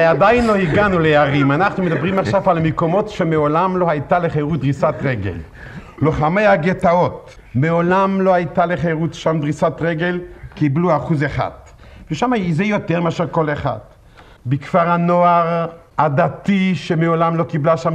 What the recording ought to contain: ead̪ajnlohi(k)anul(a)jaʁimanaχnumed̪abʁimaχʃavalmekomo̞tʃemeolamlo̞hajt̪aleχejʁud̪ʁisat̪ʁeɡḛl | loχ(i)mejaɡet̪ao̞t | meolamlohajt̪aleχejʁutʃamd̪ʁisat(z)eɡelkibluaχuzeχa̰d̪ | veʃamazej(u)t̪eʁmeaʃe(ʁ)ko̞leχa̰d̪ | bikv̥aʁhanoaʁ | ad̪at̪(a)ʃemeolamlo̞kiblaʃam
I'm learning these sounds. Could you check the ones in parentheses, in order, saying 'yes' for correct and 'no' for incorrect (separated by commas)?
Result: no, no, no, no, no, yes, no